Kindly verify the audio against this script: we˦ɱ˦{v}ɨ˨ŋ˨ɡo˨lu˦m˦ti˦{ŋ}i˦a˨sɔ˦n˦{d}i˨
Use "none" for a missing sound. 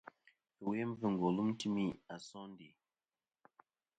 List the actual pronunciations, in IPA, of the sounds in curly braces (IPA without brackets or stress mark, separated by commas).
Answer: v, m, d